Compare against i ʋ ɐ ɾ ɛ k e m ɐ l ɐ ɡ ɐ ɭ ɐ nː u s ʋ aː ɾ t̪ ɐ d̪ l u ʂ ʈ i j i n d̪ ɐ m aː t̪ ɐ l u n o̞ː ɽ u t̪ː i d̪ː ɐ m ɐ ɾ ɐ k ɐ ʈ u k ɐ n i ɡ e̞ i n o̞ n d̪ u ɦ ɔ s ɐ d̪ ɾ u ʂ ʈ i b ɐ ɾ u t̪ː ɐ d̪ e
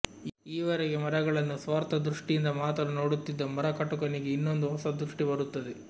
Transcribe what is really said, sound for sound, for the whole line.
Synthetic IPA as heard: iː ʋ ɐ ɾ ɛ ɡ e m ɐ ɾ ɐ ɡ ɐ ɭ ɐ nː u s ʋ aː ɾ t̪ ɐ d̪ ɾ u ʂ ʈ i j i n d̪ ɐ m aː t̪ ɐ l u n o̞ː ɽ u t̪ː i d̪ː ɐ m ɐ ɾ ɐ k ɐ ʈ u k ɐ n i ɡ e̞ i nː o̞ n d̪ u ɦ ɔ s ɐ d̪ ɾ u ʂ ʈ i b ɐ ɾ u t̪ː ɐ d̪ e

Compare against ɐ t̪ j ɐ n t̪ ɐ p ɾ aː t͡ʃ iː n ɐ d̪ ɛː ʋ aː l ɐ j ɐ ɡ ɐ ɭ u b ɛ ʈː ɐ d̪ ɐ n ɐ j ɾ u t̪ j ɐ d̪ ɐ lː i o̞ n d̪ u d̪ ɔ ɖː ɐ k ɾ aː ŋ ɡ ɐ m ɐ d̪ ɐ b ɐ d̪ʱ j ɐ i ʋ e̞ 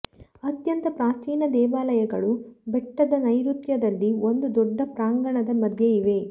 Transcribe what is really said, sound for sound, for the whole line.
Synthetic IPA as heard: ɐ t̪ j ɐ n t̪ ɐ p ɾ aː t͡ʃ iː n ɐ d̪ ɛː ʋ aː l ɐ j ɐ ɡ ɐ ɭ u b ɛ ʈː ɐ d̪ ɐ n ɐ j ɾ u t̪ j ɐ d̪ ɐ lː i o̞ n d̪ u d̪ ɔ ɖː ɐ p ɾ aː ŋ ɡ ɐ ɳ ɐ d̪ ɐ m ɐ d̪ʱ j ɐ i ʋ e̞

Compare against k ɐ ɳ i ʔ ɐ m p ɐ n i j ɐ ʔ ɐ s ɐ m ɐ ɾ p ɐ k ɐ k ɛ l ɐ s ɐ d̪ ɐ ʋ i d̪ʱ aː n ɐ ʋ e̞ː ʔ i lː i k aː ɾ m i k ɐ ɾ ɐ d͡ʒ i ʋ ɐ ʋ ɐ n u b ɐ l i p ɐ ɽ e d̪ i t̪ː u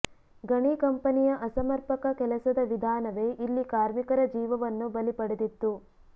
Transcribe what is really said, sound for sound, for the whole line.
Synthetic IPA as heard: ɡ ɐ ɳ i k ɐ m p ɐ n i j ɐ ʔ ɐ s ɐ m ɐ ɾ p ɐ k ɐ k ɛ l ɐ s ɐ d̪ ɐ ʋ i d̪ʱ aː n ɐ ʋ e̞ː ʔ i lː i k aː ɾ m i k ɐ ɾ ɐ d͡ʒ iː ʋ ɐ ʋ ɐ nː u b ɐ l i p ɐ ɽ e d̪ i t̪ː u

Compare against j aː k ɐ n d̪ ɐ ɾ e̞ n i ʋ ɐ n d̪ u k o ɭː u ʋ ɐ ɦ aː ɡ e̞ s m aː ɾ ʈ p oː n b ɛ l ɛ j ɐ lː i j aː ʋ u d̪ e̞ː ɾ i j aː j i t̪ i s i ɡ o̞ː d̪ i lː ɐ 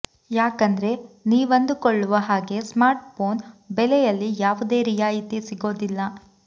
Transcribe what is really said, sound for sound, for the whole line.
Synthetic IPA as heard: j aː k ɐ n d̪ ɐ ɾ e̞ n iː ʋ ɐ n d̪ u k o ɭː u ʋ ɐ ɦ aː ɡ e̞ s m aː ɾ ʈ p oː n b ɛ l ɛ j ɐ lː i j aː ʋ u d̪ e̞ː ɾ i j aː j i t̪ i s i ɡ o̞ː d̪ i lː ɐ

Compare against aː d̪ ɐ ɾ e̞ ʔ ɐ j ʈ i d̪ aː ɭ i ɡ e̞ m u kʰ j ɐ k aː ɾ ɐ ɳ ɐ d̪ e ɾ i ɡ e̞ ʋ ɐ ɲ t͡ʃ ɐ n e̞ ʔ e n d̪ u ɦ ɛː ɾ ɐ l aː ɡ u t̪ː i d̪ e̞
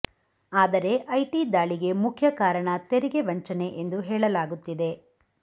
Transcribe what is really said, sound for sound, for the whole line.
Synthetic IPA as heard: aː d̪ ɐ ɾ e̞ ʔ ɐ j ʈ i d̪ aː ɭ i ɡ e̞ m u kʰ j ɐ k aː ɾ ɐ ɳ ɐ t̪ e ɾ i ɡ e̞ ʋ ɐ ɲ t͡ʃ ɐ n e̞ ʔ e n d̪ u ɦ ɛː ɭ ɐ l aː ɡ u t̪ː i d̪ e̞

